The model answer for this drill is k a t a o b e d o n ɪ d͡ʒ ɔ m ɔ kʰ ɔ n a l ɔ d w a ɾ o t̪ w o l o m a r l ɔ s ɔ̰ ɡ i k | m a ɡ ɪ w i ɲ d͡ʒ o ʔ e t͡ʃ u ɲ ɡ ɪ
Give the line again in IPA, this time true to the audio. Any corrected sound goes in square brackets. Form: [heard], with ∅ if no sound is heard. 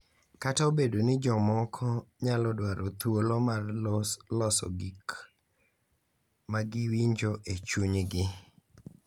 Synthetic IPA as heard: k a t a o b e d o n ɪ d͡ʒ ɔ m ɔ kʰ ɔ [ɲ] a l ɔ d w a ɾ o t̪ w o l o m a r l ɔ s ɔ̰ ɡ i k | m a ɡ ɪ w i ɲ d͡ʒ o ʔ e t͡ʃ u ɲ ɡ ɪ

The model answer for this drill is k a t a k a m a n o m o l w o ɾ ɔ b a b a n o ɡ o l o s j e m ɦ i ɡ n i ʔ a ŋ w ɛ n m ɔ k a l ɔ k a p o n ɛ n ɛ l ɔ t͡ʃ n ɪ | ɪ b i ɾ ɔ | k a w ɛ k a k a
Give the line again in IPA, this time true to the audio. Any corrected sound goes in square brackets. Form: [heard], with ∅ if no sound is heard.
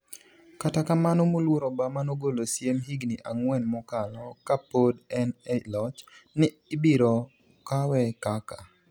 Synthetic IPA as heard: k a t a k a m a n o m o l w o ɾ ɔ b a [m] a n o ɡ o l o s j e m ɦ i ɡ n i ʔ a ŋ w ɛ n m ɔ k a l ɔ k a p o [d] ɛ n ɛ l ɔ t͡ʃ n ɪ | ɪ b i ɾ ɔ | k a w ɛ k a k a

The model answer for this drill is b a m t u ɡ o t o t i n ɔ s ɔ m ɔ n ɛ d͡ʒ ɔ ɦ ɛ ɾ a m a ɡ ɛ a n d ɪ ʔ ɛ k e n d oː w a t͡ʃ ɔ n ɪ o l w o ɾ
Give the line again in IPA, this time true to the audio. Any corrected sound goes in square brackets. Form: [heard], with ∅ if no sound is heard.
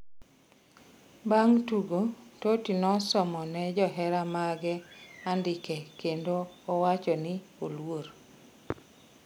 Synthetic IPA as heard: b a [ŋ] t u ɡ o t o t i n ɔ s ɔ m ɔ n ɛ d͡ʒ ɔ ɦ ɛ ɾ a m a ɡ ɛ a n d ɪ [k] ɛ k e n d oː w a t͡ʃ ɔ n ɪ o l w o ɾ

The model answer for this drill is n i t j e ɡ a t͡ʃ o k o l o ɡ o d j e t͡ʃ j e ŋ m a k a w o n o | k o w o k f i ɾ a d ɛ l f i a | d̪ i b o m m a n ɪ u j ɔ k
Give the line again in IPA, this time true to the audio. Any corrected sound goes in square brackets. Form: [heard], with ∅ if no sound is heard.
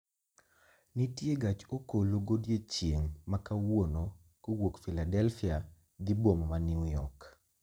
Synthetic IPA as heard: n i t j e ɡ a t͡ʃ o k o l o ɡ o d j e t͡ʃ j e ŋ m a k a w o n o | k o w o k f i [l] a d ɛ l f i a | d̪ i b o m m a n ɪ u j ɔ k

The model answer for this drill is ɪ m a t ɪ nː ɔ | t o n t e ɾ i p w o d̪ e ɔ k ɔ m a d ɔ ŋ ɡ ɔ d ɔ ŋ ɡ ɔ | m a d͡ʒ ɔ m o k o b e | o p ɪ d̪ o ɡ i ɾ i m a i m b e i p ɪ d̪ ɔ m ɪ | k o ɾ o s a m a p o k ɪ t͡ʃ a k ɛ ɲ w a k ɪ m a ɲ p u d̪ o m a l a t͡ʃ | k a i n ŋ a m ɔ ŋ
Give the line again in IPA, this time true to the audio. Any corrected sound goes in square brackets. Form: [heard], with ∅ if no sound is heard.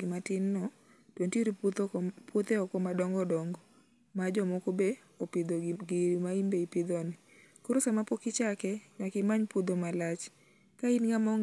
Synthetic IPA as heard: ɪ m a t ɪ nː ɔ | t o n t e ɾ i p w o [t̪] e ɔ k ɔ m a d ɔ ŋ ɡ ɔ d ɔ ŋ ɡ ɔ | m a d͡ʒ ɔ m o k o b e | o p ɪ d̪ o ɡ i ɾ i m a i m b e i p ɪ d̪ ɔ [n] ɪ | k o ɾ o s a m a p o k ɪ t͡ʃ a k ɛ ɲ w a k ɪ m a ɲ p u d̪ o m a l a t͡ʃ | k a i n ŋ a m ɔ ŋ

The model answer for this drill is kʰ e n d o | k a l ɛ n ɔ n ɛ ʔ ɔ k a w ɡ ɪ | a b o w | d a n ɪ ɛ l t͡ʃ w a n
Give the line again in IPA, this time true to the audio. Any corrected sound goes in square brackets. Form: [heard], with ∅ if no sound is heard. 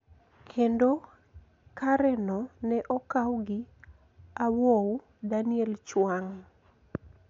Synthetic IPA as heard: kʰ e n d o | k a [ɾ] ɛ n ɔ n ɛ ʔ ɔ k a w ɡ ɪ | a [w] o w | d a n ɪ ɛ l t͡ʃ w a [ŋ]

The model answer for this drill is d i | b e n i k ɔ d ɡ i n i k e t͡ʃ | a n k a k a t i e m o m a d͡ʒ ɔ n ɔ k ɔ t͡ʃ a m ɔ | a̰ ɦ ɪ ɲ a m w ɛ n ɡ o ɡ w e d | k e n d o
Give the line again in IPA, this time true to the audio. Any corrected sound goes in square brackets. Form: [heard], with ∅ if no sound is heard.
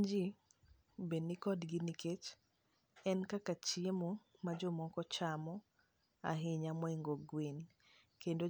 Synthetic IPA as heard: [d͡ʒ] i | b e n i k ɔ d ɡ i n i k e t͡ʃ | [ɛ] n k a k a [t͡ʃ] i e m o m a d͡ʒ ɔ [m] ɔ k ɔ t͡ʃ a m ɔ | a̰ ɦ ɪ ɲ a m w ɛ [ŋ] ɡ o ɡ w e [n] | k e n d o

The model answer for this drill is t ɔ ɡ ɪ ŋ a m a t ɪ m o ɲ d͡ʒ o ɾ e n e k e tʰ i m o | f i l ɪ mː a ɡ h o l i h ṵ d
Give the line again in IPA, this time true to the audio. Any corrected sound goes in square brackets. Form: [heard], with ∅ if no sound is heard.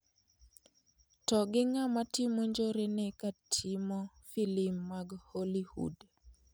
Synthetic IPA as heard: t ɔ ɡ ɪ ŋ a m a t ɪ m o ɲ d͡ʒ o ɾ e n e k [a] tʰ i m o | f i l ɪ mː a ɡ h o l i h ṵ d

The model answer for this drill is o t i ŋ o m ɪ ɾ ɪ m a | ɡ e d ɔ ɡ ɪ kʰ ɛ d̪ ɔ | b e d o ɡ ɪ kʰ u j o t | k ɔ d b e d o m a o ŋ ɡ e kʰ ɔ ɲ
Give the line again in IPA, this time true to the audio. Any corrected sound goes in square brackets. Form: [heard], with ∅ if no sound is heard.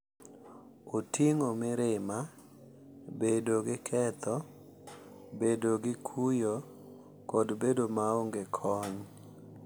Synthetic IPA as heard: o t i ŋ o m ɪ ɾ ɪ m a | [b] e d [o] ɡ ɪ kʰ ɛ [t̪] ɔ | b e d o ɡ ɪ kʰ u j o [∅] | k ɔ d b e d o m a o ŋ ɡ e kʰ ɔ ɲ

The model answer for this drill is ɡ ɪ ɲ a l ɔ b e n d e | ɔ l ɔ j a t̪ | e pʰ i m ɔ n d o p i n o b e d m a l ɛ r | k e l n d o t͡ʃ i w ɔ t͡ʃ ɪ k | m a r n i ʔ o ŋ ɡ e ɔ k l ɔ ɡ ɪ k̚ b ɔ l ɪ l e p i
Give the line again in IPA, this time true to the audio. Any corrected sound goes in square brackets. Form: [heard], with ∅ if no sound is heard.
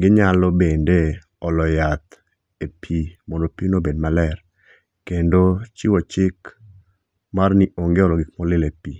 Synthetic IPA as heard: ɡ ɪ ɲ a l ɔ b e n d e | ɔ l ɔ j a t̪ | e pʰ i m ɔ n d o p i n o b e d m a l ɛ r | k e [∅] n d o t͡ʃ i w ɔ t͡ʃ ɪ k | m a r n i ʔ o ŋ ɡ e ɔ [∅] l ɔ ɡ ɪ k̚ [m] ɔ l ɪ l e p i

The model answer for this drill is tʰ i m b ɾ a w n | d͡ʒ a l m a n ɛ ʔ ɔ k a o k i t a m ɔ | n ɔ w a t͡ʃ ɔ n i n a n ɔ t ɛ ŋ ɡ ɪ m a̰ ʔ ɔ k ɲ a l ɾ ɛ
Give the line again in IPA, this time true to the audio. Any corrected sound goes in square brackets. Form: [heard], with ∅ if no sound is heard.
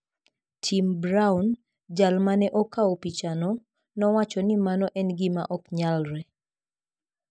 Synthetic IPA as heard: tʰ i m b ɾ a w n | d͡ʒ a l m a n ɛ ʔ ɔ k a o [p] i [t͡ʃ] a [n] ɔ | n ɔ w a t͡ʃ ɔ n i [m] a n ɔ [ʔ] ɛ [n] ɡ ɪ m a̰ ʔ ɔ k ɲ a l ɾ ɛ

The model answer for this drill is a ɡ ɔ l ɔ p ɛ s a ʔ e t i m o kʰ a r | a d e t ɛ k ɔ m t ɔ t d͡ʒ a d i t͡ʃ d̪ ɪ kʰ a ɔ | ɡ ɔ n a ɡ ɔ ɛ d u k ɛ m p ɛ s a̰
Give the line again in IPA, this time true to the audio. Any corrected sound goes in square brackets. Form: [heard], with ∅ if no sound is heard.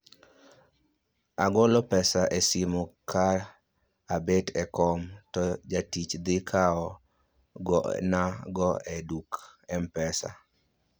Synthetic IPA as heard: a ɡ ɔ l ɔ p ɛ s a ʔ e [s] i m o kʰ a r | a [b] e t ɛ k ɔ m t ɔ [∅] d͡ʒ a [t] i t͡ʃ d̪ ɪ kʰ a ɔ | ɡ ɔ n a ɡ ɔ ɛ d u k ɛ m p ɛ s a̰

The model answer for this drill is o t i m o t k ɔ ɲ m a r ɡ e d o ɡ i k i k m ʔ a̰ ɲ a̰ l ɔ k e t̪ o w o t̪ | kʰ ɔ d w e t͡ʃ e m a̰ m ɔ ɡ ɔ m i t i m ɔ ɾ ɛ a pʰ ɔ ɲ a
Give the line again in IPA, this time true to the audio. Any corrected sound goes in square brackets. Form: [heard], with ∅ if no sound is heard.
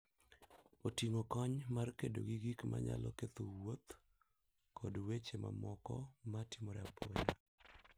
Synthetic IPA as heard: o t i [ŋ] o [∅] k ɔ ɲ m a r [k] e d o ɡ i [ɡ] i k m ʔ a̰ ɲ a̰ l ɔ k e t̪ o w o t̪ | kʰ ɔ d w e t͡ʃ e m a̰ m ɔ [k] ɔ m [a] t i m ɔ ɾ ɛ a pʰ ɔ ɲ a

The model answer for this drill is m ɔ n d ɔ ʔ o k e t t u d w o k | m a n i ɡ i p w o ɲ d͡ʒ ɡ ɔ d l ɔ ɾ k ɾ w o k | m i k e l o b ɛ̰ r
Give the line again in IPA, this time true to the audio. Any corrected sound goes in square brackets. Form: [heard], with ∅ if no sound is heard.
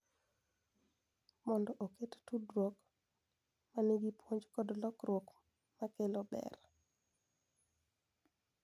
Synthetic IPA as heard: m ɔ n d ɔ ʔ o k e t t u d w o k | m a n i ɡ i p w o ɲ d͡ʒ [k] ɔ d l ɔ [∅] k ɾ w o k | m [a] k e l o b ɛ̰ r

